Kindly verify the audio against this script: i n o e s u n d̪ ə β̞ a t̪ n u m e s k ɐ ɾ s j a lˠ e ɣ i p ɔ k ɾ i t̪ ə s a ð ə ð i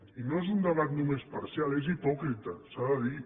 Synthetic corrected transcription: i n o e z u n d̪ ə β̞ a t̪ n u m e s p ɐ ɾ s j a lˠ e z i p ɔ k ɾ i t̪ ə s a ð ə ð i

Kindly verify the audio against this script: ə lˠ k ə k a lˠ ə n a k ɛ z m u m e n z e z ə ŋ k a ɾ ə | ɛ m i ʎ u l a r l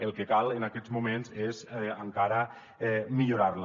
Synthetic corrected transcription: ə lˠ k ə k a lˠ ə n a k ɛ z m u m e n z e z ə ŋ k a ɾ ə | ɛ m i ʎ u ɾ a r l

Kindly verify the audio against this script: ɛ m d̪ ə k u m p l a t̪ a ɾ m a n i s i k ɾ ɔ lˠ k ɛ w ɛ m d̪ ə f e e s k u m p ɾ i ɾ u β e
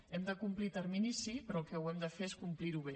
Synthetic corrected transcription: ɛ m d̪ ə k u m p l i t̪ ə ɾ m i n i s i p ɾ ɔ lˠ k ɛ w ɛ m d̪ ə f e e s k u m p l i ɾ u β e

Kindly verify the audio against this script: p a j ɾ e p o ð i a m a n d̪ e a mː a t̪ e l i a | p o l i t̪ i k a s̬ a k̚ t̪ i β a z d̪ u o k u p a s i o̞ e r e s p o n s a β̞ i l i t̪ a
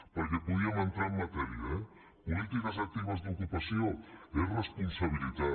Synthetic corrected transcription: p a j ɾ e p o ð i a m a n t̪ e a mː a t̪ e ɾ i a | p o l i t̪ i k a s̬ a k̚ t̪ i β a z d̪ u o k u p a s i o̞ e r e s p o n s a β̞ i l i t̪ a

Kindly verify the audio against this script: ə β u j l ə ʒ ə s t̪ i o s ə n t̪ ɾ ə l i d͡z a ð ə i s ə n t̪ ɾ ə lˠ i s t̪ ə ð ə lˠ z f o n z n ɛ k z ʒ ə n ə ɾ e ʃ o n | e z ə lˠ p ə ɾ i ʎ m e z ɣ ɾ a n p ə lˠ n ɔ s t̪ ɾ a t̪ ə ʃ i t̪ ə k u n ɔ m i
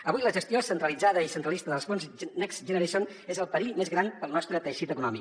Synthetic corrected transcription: ə β u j l ə ʒ ə s t̪ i o s ə n t̪ ɾ ə l i d͡z a ð ə i s ə n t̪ ɾ ə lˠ i s t̪ ə ð ə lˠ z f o n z n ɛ k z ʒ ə n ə ɾ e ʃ o n | e z ə lˠ p ə ɾ i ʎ m e z ɣ ɾ a n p ə lˠ n ɔ s t̪ ɾ ə t̪ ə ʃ i t̪ ə k u n ɔ m i

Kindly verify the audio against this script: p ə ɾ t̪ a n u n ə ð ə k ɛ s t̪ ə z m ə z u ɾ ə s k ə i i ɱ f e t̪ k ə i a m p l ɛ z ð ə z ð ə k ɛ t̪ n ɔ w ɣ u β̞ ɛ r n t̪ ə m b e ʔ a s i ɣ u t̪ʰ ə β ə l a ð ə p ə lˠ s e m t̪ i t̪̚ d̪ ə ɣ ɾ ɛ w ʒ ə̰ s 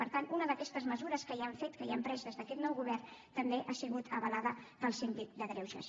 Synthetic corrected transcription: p ə ɾ t̪ a n u n ə ð ə k ɛ s t̪ ə z m ə z u ɾ ə s k ə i a ɱ f e t̪ k ə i a m p ɾ ɛ z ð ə z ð ə k ɛ t̪ n ɔ w ɣ u β̞ ɛ r n t̪ ə m b e ʔ a s i ɣ u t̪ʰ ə β ə l a ð ə p ə lˠ s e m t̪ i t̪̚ d̪ ə ɣ ɾ ɛ w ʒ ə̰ s

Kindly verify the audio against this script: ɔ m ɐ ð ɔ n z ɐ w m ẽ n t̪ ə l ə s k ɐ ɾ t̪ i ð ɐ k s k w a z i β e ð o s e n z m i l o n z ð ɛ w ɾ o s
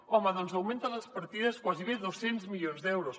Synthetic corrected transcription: ɔ m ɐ ð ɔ n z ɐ w m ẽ n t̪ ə l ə s p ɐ ɾ t̪ i ð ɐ s k w a z i β e ð o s e n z m i ʎ o n z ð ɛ w ɾ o s

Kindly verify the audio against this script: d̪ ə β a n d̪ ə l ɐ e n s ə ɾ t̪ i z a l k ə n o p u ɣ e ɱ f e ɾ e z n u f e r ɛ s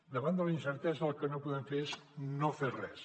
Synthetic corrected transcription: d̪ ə β a n d̪ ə l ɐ i n s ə ɾ t̪ ɛ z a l k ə n o p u ð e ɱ f e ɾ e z n o f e r ɛ s

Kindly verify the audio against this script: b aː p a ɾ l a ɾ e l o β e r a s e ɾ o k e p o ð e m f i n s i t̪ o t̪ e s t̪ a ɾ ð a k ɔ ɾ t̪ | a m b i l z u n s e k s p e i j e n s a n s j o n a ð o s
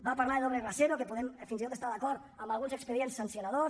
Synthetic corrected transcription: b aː p a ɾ l a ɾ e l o β e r a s e ɾ o k e p o ð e m f i n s i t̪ o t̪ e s t̪ a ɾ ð a k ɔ ɾ t̪ | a m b a l ɣ u n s e k s p e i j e n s a n s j o n a ð o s

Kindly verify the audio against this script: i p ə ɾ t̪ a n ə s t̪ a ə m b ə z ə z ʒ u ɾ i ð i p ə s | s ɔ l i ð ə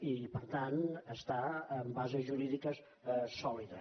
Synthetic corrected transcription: i p ə ɾ t̪ a n ə s t̪ a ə m b a z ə z ʒ u ɾ i ð i k ə s | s ɔ l i ð ə

